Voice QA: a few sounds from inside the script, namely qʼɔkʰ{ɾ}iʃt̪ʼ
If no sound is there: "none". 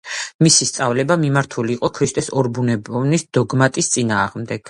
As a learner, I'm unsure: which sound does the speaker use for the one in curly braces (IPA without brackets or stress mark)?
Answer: ɾ